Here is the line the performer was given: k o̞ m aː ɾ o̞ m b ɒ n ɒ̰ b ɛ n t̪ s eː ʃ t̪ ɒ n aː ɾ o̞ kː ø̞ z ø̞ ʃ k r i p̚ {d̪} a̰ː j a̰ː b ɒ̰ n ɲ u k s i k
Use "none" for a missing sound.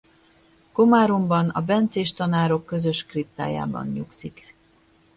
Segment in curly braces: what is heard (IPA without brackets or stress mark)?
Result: t̪